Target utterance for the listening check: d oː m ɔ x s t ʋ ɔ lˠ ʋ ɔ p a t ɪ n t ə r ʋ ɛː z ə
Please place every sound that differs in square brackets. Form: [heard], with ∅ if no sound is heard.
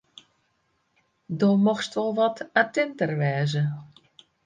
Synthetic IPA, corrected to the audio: d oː m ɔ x s t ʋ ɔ lˠ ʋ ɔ [t] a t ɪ n t ə r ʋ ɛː z ə